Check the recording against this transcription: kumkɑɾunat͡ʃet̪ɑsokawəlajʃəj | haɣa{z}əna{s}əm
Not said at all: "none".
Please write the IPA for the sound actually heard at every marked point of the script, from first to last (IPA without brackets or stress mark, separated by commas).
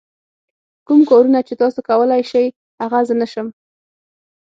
z, ʃ